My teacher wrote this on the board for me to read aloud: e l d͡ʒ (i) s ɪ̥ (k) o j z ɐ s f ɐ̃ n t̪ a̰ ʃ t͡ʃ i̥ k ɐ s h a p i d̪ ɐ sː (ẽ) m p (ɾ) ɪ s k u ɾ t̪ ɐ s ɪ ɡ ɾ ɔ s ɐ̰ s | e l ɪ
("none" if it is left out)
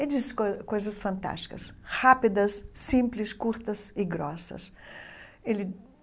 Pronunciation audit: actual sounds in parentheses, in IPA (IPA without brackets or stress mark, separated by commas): i, k, ĩ, l